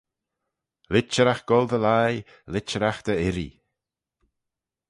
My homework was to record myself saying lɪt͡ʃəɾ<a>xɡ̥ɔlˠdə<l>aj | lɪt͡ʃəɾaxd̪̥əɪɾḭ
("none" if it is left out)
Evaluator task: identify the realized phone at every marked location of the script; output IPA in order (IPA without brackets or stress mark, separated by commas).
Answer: a, l